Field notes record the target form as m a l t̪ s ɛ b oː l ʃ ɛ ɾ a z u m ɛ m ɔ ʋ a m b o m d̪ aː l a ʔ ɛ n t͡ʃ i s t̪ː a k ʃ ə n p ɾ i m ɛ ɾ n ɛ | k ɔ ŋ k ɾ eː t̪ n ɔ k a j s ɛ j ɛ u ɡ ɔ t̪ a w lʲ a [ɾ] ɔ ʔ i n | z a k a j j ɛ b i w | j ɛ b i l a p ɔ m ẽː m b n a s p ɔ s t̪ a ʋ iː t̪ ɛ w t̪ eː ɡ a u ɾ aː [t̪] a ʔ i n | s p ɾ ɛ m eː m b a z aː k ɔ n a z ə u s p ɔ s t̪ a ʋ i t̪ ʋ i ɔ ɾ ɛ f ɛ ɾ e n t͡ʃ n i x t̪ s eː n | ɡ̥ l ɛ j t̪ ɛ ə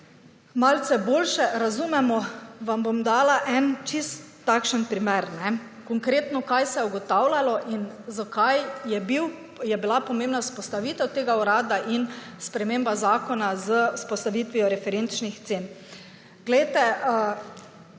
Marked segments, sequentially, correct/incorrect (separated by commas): incorrect, incorrect